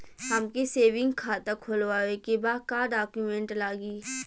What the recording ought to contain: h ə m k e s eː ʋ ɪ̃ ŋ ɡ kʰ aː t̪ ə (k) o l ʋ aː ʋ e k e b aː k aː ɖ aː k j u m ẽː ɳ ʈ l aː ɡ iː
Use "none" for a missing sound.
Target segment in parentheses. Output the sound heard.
kʰ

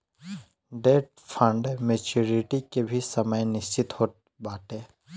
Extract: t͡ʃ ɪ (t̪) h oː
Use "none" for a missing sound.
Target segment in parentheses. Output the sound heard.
t̪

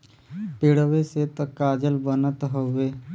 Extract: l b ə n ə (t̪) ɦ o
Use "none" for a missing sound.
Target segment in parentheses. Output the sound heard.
t̪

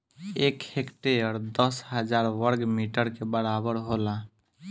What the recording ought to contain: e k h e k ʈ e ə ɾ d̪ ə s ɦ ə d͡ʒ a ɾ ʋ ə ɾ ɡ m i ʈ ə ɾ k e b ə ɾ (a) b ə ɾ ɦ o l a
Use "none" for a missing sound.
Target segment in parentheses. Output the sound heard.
a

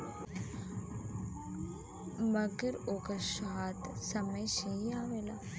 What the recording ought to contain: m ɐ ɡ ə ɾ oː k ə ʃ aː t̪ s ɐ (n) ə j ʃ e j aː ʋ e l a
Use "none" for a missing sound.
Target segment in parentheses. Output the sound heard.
m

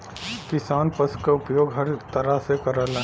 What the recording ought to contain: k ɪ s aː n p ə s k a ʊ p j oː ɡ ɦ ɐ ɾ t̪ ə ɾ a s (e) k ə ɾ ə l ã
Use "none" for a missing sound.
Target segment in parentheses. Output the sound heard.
e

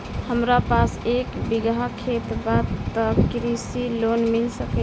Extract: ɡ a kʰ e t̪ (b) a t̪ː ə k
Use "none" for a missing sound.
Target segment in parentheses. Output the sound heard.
b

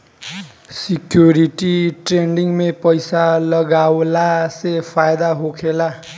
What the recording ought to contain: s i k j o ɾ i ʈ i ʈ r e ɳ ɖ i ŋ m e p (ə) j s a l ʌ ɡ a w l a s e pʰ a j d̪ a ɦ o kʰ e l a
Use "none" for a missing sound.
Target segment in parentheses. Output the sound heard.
ʌ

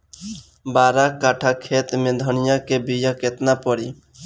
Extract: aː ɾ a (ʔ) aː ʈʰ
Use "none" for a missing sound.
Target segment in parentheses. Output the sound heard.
k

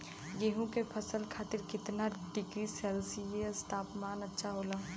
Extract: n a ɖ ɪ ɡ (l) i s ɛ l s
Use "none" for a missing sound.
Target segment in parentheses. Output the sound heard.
ɾ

